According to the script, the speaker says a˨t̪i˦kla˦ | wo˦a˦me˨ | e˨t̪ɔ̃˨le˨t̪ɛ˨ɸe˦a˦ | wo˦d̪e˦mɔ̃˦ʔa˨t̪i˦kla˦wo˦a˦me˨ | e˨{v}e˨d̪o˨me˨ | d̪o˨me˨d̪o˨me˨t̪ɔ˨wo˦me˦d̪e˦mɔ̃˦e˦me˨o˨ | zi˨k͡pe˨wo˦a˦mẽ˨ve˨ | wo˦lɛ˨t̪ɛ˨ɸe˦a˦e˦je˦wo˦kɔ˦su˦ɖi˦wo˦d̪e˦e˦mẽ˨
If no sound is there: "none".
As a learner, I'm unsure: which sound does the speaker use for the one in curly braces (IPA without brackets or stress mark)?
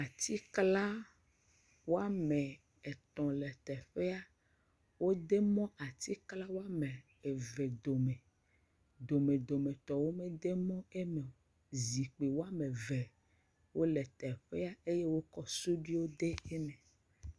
v